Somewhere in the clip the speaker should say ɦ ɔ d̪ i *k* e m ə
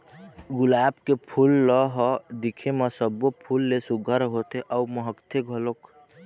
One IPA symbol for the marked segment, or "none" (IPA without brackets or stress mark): kʰ